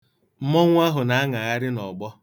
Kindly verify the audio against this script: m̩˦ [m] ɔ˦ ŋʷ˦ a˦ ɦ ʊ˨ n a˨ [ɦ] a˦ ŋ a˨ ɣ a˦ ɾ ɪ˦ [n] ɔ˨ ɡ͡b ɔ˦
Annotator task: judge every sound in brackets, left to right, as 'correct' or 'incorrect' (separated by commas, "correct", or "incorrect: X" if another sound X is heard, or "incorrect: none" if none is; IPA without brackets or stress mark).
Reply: correct, incorrect: none, correct